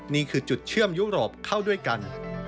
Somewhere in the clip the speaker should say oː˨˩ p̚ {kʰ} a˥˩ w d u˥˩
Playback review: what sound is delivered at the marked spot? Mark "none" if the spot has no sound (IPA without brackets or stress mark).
kʰ